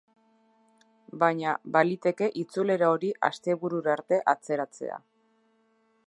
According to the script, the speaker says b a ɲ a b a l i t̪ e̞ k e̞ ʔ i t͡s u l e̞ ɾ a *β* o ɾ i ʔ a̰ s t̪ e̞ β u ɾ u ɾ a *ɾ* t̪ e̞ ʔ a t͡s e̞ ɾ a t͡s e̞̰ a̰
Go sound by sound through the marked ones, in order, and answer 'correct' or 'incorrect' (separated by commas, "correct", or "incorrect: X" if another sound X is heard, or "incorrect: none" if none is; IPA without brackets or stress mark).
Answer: incorrect: none, correct